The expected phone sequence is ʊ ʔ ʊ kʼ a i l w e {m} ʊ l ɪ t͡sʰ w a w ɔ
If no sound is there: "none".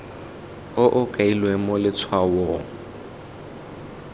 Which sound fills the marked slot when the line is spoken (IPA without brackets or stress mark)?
m